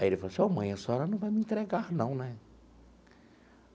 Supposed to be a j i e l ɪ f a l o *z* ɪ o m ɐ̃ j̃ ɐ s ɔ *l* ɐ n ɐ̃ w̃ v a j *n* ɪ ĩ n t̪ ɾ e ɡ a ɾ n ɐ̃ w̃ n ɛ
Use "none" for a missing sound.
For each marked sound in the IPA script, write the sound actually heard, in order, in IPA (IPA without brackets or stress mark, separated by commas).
s, ɾ, m